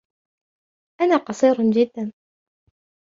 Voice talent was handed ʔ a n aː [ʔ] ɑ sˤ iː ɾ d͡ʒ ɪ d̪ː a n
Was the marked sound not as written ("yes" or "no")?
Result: yes